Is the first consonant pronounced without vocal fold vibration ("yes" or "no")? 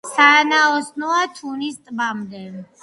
yes